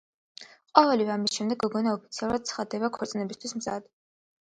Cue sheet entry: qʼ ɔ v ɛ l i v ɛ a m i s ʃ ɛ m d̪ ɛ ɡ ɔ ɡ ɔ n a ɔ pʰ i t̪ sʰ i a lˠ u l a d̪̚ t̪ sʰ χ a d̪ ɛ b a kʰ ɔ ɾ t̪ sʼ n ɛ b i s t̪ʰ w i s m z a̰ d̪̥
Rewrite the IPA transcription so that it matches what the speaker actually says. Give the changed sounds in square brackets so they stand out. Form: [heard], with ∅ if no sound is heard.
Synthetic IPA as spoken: qʼ ɔ v ɛ l i v ɛ a m i s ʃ ɛ m d̪ ɛ ɡ ɔ ɡ ɔ n a ɔ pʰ i t̪ sʰ i a lˠ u [ɾ] a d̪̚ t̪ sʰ χ a d̪ ɛ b a kʰ ɔ ɾ t̪ sʼ n ɛ b i s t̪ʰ w i s m z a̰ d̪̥